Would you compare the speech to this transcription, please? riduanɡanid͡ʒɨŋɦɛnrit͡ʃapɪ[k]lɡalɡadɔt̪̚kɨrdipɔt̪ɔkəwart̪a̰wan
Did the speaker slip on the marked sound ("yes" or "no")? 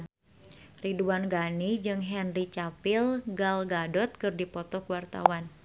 yes